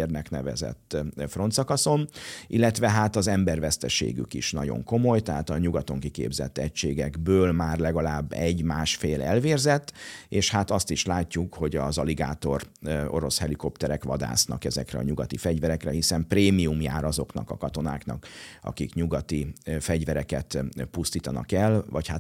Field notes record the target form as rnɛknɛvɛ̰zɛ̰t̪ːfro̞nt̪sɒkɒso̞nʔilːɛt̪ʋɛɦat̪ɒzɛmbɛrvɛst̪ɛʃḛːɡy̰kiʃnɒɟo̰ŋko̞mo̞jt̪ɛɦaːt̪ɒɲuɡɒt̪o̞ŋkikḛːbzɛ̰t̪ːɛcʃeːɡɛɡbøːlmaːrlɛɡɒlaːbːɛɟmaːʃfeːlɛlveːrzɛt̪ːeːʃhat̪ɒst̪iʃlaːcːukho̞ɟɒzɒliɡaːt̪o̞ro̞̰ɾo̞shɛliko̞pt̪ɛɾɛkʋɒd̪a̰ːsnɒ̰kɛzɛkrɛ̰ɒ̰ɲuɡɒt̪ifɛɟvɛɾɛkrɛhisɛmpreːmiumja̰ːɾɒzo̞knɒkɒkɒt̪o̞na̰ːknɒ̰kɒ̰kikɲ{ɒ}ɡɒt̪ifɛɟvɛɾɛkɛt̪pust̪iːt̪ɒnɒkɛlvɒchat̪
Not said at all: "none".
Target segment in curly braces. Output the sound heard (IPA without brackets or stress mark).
u